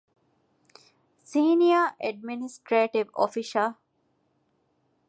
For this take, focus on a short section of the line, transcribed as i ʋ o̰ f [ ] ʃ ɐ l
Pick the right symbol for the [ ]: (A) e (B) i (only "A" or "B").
B